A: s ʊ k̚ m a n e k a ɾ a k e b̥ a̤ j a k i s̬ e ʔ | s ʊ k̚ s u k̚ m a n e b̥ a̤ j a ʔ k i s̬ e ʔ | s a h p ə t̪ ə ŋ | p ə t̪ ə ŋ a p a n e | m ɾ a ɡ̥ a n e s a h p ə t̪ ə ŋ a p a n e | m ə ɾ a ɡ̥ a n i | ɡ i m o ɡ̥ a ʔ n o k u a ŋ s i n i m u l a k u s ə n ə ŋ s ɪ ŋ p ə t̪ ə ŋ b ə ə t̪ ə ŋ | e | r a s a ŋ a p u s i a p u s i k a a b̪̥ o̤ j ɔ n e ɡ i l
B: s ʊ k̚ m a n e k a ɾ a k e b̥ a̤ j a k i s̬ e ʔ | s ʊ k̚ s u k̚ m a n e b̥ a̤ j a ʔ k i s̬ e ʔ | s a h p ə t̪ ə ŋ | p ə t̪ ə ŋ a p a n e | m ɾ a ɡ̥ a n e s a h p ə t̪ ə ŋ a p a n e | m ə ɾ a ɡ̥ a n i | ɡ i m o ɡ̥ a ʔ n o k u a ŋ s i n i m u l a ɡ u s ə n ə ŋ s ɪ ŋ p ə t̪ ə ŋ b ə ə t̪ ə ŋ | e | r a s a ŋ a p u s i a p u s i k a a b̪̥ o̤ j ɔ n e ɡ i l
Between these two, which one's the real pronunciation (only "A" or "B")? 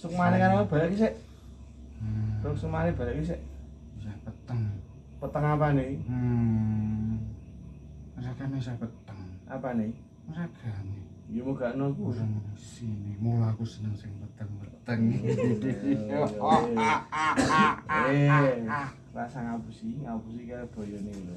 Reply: A